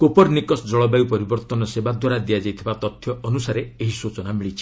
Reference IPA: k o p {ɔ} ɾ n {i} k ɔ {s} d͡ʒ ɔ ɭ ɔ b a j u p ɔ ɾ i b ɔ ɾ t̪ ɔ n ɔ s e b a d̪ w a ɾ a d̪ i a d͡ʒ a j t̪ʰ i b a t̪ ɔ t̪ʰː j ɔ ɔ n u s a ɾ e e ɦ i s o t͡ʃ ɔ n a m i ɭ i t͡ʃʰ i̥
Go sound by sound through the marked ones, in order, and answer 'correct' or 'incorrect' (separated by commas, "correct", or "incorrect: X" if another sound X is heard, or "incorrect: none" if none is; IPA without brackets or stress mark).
correct, correct, correct